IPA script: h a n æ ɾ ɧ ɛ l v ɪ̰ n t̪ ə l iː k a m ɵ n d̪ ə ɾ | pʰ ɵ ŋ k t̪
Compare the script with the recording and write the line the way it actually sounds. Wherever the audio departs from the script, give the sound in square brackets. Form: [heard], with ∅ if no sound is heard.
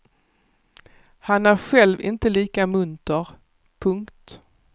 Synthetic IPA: h a n æ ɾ ɧ ɛ l v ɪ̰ n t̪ ə l iː k a m ɵ n [t̪] ə ɾ | pʰ ɵ ŋ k t̪